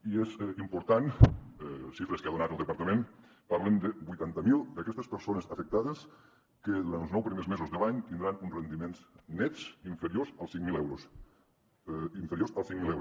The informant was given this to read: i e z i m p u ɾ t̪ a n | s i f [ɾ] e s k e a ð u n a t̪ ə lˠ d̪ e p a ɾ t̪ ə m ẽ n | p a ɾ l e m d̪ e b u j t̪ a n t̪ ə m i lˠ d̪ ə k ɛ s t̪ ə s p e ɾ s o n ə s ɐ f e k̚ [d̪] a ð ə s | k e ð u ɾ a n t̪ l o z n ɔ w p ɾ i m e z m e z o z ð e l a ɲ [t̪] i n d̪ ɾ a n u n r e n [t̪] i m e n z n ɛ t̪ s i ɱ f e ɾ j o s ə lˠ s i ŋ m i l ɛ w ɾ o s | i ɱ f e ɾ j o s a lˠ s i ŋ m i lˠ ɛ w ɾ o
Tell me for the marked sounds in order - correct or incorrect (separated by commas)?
correct, incorrect, correct, incorrect